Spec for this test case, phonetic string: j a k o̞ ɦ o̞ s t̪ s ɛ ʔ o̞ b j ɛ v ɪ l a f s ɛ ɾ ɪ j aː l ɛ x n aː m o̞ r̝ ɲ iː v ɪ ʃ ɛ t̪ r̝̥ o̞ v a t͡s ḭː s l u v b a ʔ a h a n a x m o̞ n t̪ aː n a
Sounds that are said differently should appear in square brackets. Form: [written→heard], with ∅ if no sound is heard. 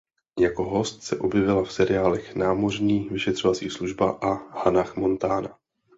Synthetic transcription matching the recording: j a k o̞ ɦ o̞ s t̪ s ɛ ʔ o̞ b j ɛ v ɪ l a f s ɛ ɾ ɪ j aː l ɛ x n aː m o̞ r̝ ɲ iː v ɪ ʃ ɛ t̪ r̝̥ o̞ v a t͡s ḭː s l u [v→ʒ] b a ʔ a h a n a x m o̞ n t̪ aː n a